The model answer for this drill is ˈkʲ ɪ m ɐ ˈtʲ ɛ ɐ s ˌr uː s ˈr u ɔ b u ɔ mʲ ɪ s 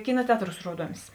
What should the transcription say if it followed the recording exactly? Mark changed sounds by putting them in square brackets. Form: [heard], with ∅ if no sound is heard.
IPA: ˈkʲ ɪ [n] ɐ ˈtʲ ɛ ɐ [t] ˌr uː s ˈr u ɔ [d] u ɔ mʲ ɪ s